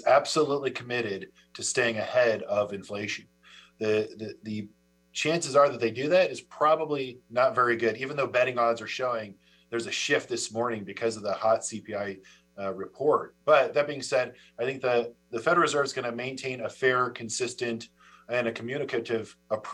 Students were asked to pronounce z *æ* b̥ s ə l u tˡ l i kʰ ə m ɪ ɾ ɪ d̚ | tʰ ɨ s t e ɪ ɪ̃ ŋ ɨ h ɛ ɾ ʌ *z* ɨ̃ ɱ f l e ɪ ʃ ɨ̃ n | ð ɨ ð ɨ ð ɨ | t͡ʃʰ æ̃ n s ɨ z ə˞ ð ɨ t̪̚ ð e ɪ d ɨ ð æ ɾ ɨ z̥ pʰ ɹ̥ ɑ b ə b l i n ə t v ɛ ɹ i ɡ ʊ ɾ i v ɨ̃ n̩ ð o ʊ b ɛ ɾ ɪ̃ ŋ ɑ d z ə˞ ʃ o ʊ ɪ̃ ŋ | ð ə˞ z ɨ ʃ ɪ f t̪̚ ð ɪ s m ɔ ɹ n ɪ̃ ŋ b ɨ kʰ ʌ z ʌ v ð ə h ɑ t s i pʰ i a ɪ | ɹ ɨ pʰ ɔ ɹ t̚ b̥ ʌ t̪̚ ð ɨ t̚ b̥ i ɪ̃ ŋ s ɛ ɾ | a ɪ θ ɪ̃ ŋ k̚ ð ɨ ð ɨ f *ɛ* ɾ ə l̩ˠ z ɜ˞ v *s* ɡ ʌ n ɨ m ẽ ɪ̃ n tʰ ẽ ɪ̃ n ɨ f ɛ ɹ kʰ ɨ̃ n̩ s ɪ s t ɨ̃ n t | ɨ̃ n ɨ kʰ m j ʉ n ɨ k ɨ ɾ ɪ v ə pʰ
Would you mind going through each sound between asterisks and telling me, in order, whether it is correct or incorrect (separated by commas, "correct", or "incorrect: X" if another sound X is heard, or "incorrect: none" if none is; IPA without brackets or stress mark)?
correct, incorrect: v, correct, incorrect: z